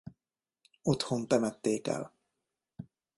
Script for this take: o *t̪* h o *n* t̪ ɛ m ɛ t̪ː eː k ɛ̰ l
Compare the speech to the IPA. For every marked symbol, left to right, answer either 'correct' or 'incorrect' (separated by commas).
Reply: correct, correct